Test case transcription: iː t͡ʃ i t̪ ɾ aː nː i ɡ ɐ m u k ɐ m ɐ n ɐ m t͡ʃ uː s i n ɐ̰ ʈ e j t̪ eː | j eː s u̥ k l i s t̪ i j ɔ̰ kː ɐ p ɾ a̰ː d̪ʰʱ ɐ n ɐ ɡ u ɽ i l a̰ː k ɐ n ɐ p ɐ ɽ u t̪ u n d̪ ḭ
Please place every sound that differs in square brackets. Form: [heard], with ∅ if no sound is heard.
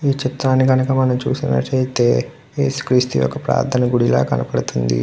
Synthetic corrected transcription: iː t͡ʃ i t̪ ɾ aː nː i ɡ ɐ [n] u k ɐ m ɐ n ɐ m t͡ʃ uː s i n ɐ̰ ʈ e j t̪ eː | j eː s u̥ k [ɾ] i s t̪ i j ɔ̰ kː ɐ p ɾ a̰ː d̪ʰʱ ɐ n ɐ ɡ u ɽ i l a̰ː k ɐ n ɐ p ɐ ɽ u t̪ u n d̪ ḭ